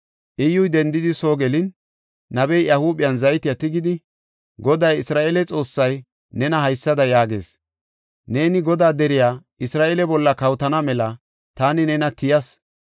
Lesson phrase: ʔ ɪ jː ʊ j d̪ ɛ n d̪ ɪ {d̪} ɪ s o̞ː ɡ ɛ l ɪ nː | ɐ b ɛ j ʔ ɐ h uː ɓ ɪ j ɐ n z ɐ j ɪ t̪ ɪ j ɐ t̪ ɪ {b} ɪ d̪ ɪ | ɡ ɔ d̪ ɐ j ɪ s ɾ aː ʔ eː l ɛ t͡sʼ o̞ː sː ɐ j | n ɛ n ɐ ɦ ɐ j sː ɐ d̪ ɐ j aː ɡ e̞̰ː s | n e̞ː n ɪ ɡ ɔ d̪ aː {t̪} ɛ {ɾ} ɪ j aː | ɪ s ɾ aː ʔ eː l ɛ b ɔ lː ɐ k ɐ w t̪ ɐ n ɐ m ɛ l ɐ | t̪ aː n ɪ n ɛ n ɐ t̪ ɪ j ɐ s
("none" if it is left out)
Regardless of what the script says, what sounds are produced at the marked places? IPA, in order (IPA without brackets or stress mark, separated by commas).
d̪, ɡ, d̪, ɾ